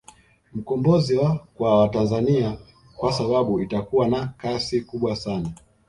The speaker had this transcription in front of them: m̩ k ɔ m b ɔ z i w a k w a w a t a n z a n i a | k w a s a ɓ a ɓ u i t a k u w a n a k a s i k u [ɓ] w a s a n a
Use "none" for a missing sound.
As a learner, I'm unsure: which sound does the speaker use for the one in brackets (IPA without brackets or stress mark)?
ɓ